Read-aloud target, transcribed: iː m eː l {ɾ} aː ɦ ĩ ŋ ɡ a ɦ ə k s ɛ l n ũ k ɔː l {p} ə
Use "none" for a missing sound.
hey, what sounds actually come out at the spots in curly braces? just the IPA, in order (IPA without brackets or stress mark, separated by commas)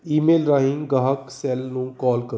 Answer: ɾ, k